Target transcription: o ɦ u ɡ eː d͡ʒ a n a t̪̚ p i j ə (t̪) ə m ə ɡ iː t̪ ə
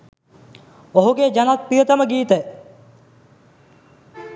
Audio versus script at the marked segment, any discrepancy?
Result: no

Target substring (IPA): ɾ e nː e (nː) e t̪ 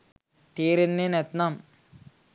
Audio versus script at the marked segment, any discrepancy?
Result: yes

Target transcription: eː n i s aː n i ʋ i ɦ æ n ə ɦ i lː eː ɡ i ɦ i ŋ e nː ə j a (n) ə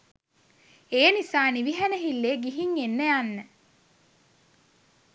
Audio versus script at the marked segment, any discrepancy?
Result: yes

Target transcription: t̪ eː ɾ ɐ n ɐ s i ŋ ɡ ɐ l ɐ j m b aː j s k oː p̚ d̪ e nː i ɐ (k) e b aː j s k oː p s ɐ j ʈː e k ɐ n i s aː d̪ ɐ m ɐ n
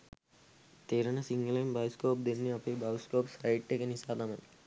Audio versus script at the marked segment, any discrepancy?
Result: yes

